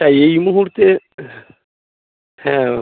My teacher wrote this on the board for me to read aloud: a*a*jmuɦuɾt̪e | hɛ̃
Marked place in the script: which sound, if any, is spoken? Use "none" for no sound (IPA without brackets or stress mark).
e